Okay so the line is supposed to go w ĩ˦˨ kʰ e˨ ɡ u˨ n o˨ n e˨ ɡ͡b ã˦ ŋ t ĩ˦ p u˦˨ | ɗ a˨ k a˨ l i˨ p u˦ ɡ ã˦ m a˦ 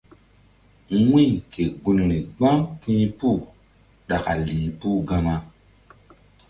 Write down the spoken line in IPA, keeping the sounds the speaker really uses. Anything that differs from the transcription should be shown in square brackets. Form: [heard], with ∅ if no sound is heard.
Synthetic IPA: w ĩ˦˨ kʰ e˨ ɡ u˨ n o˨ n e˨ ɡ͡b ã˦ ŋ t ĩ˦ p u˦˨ | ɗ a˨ k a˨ l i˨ p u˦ ɡ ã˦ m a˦